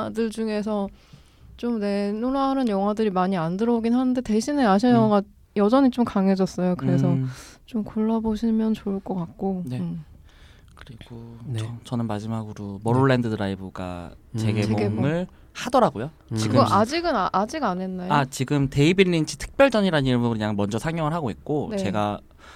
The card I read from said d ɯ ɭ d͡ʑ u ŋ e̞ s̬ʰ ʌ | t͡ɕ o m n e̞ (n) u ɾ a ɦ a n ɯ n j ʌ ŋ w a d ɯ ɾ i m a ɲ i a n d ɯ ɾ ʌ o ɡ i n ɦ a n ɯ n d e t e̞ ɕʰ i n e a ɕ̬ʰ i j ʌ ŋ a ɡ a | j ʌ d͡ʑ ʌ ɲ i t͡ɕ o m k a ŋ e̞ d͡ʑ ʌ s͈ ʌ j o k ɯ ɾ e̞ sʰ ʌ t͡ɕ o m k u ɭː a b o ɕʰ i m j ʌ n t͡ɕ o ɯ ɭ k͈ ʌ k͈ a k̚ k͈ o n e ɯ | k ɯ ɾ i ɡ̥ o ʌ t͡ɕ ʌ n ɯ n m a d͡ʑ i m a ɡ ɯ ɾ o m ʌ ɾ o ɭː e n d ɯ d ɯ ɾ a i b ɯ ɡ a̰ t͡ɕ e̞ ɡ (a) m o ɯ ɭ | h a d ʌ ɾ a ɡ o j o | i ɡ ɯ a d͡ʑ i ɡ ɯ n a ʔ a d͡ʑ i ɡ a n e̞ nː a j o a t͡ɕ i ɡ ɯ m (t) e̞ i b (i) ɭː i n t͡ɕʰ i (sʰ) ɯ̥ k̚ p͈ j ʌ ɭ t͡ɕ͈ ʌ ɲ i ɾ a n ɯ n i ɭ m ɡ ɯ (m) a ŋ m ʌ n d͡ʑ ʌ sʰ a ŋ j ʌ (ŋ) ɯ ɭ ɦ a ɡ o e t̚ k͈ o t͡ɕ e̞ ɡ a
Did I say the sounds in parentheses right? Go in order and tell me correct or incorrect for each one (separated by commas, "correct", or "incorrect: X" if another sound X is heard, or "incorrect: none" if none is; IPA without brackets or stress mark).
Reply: correct, incorrect: e, correct, correct, incorrect: tʰ, incorrect: ɲ, correct